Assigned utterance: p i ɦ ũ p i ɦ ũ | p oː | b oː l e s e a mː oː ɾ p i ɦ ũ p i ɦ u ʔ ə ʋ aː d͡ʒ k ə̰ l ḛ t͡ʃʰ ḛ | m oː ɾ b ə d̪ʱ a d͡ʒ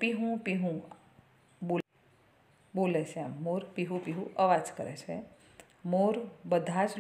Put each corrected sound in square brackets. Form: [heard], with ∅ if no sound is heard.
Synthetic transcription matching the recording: p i ɦ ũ p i ɦ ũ | [b] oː | b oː l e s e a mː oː ɾ p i ɦ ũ p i ɦ u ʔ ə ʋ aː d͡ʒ k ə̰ [ɾ] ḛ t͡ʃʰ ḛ | m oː ɾ b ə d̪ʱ a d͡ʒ